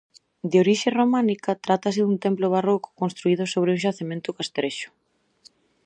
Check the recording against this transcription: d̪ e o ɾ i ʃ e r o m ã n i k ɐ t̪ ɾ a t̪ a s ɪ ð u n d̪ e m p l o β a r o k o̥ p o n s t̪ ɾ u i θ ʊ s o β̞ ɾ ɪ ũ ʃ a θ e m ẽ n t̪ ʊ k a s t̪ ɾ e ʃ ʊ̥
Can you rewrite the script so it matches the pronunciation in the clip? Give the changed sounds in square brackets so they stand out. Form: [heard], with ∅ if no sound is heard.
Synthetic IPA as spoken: d̪ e o ɾ i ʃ e r o m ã n i k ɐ t̪ ɾ a t̪ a s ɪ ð u n [t̪] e m p l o β a r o k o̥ [k] o n s t̪ ɾ u i [ð] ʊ s o β̞ ɾ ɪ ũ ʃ a θ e m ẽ n t̪ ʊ k a s t̪ ɾ e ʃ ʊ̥